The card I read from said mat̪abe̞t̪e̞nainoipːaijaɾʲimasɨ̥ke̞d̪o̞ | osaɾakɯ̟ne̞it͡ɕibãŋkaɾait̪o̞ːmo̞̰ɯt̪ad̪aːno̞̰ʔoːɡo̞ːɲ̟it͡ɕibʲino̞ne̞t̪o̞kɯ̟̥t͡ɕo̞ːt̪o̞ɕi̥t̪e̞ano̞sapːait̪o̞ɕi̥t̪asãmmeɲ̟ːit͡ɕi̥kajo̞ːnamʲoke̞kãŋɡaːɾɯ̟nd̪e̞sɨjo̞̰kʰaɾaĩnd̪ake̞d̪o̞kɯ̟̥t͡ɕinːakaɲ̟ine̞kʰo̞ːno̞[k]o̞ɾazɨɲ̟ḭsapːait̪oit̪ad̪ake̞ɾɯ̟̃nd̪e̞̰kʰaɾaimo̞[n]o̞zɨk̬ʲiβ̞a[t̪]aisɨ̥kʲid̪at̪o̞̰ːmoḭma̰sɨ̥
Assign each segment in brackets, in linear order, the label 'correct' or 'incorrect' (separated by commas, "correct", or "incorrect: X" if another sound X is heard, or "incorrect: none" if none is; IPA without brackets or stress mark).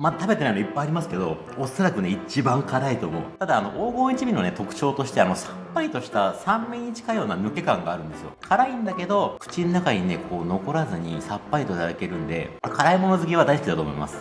correct, correct, incorrect: d̪